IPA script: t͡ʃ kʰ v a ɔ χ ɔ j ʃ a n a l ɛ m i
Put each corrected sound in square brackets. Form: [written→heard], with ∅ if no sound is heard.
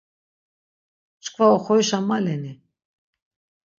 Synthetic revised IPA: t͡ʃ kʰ v a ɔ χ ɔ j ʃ a [n→m] a l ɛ [m→n] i

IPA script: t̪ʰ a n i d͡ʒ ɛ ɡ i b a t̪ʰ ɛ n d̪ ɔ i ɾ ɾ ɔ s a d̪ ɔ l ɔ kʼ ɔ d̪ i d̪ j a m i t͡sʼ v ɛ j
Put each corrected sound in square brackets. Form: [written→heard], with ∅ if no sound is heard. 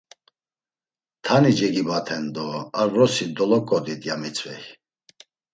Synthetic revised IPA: t̪ʰ a n i d͡ʒ ɛ ɡ i b a t̪ʰ ɛ n d̪ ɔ [i→a] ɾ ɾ ɔ s [a→i] d̪ ɔ l ɔ kʼ ɔ d̪ i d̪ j a m i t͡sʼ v ɛ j

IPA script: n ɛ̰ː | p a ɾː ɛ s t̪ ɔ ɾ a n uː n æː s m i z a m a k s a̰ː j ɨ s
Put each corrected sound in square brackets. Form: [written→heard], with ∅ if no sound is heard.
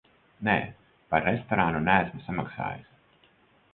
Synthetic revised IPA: n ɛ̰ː | p a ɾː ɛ s t̪ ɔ ɾ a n [uː→u] n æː s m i [z→s] a m a k s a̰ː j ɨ s

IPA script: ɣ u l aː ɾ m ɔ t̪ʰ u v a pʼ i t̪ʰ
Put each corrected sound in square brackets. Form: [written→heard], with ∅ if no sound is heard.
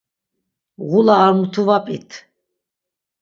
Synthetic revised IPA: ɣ u l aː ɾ m [ɔ→u] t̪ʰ u v a pʼ i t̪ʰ

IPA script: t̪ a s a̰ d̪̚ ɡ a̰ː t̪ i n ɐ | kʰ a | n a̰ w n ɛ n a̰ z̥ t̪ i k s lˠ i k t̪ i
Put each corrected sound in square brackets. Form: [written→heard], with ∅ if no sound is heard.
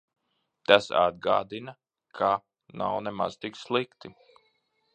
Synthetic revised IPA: t̪ a s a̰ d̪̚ ɡ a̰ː [t̪→d̪] i n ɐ | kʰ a | n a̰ w n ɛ [n→m] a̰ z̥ t̪ i k s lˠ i k t̪ i

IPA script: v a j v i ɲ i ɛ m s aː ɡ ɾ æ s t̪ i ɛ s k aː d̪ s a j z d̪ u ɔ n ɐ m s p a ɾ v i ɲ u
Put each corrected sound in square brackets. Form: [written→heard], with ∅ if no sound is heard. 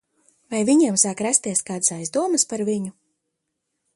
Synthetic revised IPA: v a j v i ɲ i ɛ m s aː [ɡ→k] ɾ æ s t̪ i ɛ s k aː d̪ s a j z d̪ u ɔ [n→m] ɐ [m→∅] s p a ɾ v i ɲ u

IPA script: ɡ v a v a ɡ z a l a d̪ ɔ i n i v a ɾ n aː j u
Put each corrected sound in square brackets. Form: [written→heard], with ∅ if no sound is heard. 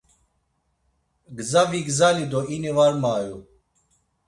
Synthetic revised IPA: ɡ [v→z] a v [a→i] ɡ z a l [a→i] d̪ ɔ i n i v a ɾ [n→m] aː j u

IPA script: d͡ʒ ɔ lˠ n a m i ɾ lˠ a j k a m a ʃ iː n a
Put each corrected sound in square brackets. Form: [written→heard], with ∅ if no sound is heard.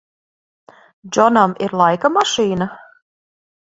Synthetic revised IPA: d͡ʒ ɔ [lˠ→∅] n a m i ɾ lˠ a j k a m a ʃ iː n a

